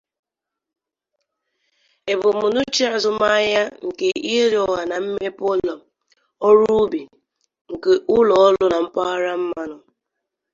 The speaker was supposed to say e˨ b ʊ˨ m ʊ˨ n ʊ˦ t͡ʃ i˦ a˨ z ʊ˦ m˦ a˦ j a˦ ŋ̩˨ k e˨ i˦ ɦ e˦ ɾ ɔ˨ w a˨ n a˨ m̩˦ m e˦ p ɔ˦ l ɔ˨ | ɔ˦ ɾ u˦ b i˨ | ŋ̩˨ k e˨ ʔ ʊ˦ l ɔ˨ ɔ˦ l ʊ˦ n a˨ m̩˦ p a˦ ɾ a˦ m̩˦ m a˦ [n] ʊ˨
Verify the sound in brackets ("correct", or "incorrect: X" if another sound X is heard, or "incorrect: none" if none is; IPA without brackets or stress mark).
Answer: correct